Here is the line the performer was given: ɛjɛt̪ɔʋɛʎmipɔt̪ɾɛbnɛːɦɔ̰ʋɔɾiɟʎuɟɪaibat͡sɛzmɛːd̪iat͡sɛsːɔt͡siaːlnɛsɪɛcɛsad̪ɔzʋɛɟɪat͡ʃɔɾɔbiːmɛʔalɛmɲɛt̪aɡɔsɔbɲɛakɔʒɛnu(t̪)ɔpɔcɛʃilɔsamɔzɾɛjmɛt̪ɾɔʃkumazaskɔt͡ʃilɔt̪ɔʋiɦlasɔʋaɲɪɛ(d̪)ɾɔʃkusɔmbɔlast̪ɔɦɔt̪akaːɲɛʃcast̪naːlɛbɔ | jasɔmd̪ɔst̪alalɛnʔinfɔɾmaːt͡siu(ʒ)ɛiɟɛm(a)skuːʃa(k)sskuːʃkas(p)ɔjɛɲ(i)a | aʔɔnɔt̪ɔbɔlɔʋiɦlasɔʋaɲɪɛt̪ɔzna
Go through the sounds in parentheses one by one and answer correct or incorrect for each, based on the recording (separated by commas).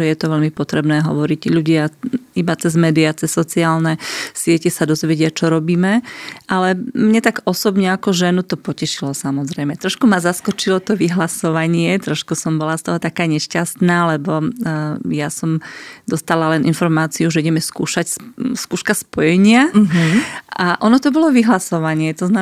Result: correct, incorrect, correct, incorrect, incorrect, correct, incorrect